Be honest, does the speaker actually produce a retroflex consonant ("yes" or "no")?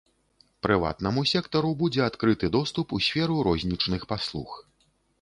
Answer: yes